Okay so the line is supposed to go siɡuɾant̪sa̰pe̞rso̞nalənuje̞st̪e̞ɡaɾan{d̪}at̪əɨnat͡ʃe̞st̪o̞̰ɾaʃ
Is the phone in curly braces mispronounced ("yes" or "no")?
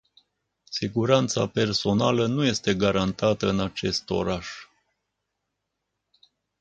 yes